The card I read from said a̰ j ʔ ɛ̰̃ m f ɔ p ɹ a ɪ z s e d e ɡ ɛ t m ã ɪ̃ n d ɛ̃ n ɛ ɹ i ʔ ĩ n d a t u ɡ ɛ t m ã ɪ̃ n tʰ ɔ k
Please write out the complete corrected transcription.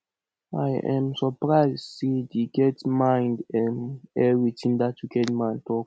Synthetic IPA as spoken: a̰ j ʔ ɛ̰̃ m s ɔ p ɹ a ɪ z s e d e ɡ ɛ t m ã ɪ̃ n d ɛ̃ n ɛ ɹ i t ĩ n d a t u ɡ ɛ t m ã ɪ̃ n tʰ ɔ k